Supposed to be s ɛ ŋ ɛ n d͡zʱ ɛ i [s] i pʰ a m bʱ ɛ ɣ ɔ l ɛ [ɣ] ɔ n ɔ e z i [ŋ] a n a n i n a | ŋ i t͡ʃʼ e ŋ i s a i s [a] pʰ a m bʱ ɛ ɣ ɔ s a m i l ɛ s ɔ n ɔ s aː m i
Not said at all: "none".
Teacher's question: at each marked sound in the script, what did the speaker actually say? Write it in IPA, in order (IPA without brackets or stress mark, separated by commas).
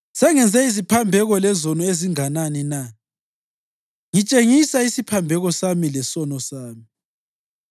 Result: z, z, ŋ, i